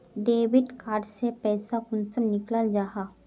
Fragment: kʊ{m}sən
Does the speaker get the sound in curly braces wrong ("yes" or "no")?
yes